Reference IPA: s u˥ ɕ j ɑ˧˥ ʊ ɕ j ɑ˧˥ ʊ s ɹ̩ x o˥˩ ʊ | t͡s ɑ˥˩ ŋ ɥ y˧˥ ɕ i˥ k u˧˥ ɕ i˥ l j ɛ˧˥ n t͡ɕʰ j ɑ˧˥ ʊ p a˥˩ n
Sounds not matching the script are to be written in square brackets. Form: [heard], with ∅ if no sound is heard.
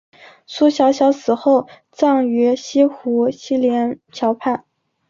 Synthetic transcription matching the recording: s u˥ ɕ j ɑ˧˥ ʊ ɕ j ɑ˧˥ ʊ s ɹ̩ x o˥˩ ʊ | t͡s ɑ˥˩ ŋ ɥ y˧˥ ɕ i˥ [x] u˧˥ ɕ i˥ l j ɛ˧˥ n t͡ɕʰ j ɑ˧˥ ʊ [pʰ] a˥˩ n